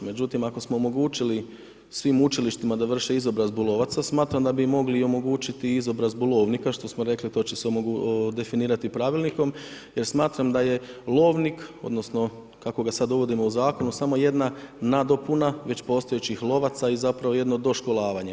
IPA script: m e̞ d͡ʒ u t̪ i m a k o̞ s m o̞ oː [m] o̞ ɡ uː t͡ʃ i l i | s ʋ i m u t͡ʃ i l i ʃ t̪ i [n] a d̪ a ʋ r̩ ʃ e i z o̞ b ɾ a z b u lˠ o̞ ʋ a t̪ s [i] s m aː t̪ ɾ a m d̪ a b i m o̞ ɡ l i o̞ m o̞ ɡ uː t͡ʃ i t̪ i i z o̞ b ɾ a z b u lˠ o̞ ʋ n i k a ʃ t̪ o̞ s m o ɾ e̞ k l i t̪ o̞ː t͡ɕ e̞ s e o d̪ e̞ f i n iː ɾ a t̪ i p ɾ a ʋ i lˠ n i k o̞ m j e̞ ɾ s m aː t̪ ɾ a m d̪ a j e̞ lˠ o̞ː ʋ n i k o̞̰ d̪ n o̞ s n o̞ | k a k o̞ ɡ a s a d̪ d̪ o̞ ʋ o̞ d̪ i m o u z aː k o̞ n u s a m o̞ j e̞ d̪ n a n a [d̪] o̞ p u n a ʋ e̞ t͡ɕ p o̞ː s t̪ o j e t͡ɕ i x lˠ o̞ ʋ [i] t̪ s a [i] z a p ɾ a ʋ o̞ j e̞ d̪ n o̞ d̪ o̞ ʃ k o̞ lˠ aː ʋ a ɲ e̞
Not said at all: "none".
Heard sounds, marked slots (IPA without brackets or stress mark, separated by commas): m, m, a, d̪, a, i